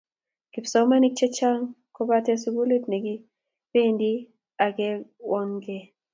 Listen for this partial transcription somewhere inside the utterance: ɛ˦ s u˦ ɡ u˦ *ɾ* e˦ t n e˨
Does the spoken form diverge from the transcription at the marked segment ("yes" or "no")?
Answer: yes